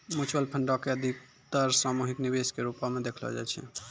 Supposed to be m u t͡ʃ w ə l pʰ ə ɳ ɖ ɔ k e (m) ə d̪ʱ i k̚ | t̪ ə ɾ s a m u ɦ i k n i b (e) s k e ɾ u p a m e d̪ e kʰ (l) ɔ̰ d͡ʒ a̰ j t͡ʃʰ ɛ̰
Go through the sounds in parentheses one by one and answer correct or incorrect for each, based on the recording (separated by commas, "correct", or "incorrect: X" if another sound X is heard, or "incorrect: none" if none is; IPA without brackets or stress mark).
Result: incorrect: none, correct, correct